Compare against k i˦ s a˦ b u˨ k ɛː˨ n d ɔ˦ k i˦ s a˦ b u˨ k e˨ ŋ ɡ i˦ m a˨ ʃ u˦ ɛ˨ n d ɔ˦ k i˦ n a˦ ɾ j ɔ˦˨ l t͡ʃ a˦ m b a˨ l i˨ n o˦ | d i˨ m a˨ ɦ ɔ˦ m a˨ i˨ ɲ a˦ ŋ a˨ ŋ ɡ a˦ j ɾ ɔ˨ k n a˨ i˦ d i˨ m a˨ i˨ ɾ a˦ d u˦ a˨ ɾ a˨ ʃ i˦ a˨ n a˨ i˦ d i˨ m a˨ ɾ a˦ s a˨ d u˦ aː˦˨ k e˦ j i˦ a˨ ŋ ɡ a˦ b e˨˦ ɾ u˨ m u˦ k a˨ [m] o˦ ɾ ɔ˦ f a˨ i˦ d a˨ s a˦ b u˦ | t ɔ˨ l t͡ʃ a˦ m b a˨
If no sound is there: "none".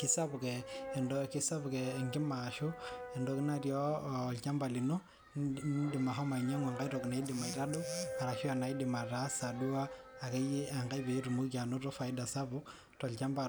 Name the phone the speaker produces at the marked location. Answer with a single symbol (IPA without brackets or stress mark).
n